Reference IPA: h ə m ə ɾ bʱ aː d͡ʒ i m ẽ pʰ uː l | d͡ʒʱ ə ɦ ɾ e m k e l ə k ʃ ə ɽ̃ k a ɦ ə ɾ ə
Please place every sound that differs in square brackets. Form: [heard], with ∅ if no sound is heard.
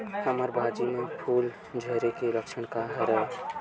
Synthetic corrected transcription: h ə m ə ɾ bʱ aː d͡ʒ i m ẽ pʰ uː l | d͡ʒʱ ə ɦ ɾ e [∅] k e l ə k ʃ ə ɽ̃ k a ɦ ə ɾ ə